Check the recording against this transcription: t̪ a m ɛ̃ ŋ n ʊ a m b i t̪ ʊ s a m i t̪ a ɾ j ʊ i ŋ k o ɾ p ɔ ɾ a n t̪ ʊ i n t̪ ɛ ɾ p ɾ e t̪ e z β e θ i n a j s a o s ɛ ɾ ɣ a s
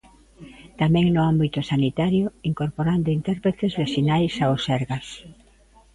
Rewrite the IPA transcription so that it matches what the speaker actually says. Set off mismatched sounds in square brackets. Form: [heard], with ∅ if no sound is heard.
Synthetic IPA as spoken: t̪ a m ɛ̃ ŋ n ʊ a m b i t̪ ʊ s a [n] i t̪ a ɾ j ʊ i ŋ k o ɾ p [o] ɾ a n [d̪] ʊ i n t̪ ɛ ɾ p ɾ e t̪ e z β e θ i n a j s a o s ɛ ɾ ɣ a s